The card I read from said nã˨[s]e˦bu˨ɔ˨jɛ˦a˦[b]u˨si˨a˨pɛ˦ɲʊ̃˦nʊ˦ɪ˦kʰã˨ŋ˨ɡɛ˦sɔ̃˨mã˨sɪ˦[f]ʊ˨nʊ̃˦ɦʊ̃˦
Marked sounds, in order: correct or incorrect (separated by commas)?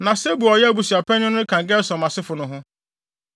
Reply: correct, correct, correct